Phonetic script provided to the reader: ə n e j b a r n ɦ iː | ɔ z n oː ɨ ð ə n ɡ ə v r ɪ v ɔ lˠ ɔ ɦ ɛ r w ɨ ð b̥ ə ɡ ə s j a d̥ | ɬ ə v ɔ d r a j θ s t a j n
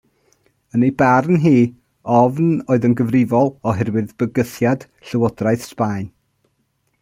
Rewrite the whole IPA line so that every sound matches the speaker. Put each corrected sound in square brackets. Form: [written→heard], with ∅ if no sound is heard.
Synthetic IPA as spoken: ə n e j b a r n ɦ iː | ɔ [z→v] n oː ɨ ð ə n ɡ ə v r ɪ v ɔ lˠ ɔ ɦ ɛ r w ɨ ð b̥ ə ɡ ə [s→θ] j a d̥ | ɬ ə [v→w] ɔ d r a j θ s [t→p] a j n